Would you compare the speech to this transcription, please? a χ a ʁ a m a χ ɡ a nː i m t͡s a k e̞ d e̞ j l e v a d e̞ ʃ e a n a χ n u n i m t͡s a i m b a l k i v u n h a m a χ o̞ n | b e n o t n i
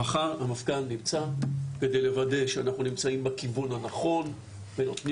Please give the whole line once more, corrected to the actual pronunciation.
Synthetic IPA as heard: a χ a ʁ a m a f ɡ a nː i m t͡s a k e̞ d e̞ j l e v a d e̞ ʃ e a n a χ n u n i m t͡s a i m b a k i v u n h a n a χ o̞ n | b e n o t n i